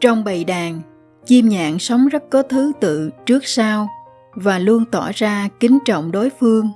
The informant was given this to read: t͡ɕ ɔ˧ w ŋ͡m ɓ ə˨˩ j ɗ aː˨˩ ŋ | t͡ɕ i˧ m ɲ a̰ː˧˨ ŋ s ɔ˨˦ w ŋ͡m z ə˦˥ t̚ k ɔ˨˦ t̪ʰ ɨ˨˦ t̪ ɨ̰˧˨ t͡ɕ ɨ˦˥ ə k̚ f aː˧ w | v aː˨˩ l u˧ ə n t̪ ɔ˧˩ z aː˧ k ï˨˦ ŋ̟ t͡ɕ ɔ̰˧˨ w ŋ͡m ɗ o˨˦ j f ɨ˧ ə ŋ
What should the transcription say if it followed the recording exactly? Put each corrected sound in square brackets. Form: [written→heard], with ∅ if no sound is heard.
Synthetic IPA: t͡ɕ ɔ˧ w ŋ͡m ɓ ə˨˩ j ɗ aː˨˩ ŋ | t͡ɕ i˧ m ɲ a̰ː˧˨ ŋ s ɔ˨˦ w ŋ͡m z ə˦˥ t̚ k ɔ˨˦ t̪ʰ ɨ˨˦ t̪ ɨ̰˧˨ t͡ɕ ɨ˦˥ ə k̚ [f→s] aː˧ w | v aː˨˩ l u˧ ə n t̪ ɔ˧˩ z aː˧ k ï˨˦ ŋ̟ t͡ɕ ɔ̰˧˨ w ŋ͡m ɗ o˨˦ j f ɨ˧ ə ŋ

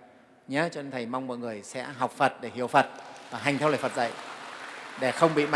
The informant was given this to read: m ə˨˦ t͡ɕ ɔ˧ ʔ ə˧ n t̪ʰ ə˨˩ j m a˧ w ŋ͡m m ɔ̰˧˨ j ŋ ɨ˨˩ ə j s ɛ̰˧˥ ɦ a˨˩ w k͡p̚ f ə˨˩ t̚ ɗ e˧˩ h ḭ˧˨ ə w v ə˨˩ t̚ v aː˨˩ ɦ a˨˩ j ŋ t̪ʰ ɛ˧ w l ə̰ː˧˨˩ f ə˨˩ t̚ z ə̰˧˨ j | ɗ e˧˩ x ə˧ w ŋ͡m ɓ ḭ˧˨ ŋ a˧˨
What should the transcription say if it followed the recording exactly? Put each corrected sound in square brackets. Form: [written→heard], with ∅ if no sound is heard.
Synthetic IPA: [m→ɲ] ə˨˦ t͡ɕ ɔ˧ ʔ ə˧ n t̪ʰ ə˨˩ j m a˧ w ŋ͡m m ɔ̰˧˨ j ŋ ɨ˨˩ ə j s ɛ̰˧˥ ɦ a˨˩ w k͡p̚ f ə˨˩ t̚ ɗ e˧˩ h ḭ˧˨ ə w [v→f] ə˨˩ t̚ v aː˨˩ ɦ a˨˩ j ŋ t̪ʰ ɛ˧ w l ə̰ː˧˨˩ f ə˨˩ t̚ z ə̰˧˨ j | ɗ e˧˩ x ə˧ w ŋ͡m ɓ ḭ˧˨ [ŋ→m] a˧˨

